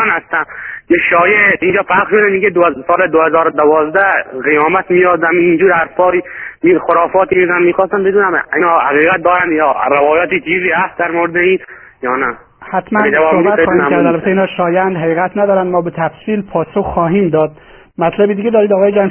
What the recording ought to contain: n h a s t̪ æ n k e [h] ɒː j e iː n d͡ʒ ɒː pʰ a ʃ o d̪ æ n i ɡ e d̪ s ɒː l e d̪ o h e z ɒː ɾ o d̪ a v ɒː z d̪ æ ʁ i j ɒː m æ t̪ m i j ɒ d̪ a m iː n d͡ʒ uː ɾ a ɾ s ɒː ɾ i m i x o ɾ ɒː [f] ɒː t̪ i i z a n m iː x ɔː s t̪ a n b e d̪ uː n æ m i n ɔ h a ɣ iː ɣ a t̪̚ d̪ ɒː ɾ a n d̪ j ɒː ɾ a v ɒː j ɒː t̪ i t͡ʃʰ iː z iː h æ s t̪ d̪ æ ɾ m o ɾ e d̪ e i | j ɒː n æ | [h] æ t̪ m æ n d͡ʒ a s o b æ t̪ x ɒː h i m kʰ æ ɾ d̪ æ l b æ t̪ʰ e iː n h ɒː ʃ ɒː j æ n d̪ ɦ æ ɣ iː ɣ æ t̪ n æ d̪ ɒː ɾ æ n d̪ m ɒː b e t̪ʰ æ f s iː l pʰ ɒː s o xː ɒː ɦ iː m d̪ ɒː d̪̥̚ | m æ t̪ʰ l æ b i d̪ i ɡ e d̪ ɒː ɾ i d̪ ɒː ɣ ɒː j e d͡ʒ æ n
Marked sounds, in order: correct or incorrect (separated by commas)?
incorrect, correct, correct